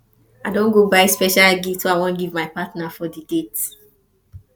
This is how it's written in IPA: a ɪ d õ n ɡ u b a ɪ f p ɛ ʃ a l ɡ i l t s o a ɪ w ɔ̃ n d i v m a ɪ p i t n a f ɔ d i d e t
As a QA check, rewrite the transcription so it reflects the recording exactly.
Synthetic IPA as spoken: a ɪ d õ n ɡ o b a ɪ s p ɛ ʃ a l ɡ i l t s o a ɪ w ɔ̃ n ɡ i v m a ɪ p a t n a f ɔ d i d e t

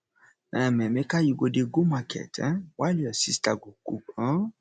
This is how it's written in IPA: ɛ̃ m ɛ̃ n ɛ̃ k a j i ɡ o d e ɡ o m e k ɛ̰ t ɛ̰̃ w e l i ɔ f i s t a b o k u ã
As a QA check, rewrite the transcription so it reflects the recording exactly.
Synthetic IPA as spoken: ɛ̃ m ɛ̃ m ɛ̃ k a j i ɡ o d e ɡ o m a k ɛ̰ t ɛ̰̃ w a l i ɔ s i s t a ɡ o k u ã

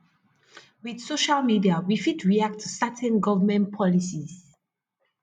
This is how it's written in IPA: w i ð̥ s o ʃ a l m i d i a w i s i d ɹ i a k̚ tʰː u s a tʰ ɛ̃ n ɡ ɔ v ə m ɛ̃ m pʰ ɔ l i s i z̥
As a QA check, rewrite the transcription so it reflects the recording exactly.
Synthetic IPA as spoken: w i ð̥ s o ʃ a l m i d i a w i f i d ɹ i a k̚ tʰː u s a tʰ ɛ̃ n ɡ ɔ v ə m ɛ̃ n pʰ ɔ l i s i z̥

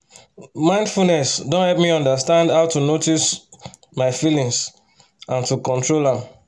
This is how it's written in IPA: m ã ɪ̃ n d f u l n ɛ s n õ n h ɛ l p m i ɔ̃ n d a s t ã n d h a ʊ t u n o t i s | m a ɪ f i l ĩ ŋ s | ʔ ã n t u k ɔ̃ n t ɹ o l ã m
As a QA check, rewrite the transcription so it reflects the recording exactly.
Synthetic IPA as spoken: m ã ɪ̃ n d f u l n ɛ s d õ n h ɛ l p m i ɔ̃ n d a s t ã n d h a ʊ t u n o t i s | m a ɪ f i l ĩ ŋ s | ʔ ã n t u k ɔ̃ n t ɹ o l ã m

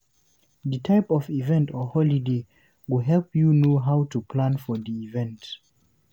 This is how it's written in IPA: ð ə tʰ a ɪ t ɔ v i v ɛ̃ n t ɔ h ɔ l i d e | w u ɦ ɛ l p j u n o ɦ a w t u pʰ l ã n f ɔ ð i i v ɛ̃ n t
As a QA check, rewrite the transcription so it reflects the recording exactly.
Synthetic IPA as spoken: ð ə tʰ a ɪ p ɔ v i v ɛ̃ n t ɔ h ɔ l i d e | w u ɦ ɛ l p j u n o ɦ a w t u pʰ l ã n f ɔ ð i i v ɛ̃ n t

